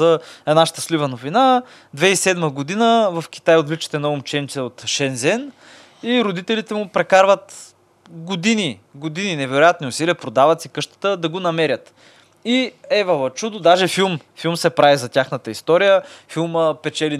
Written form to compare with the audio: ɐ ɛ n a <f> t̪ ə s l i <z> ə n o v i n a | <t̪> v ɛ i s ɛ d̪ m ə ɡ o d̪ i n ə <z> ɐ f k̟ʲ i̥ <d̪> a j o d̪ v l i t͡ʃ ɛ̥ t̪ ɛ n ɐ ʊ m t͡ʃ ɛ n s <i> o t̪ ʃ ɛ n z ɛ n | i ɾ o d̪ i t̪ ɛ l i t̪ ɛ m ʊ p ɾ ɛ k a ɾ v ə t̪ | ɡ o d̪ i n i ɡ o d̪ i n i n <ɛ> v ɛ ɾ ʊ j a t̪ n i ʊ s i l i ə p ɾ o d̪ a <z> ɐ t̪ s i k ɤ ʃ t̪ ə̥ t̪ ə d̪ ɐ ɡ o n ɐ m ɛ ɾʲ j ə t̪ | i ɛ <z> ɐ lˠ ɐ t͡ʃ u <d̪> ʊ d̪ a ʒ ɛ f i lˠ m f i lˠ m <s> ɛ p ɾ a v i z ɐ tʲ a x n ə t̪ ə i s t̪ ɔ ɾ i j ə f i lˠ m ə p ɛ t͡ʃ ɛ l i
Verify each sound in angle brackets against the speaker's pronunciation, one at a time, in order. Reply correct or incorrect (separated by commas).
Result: incorrect, incorrect, incorrect, incorrect, incorrect, incorrect, correct, incorrect, incorrect, correct, correct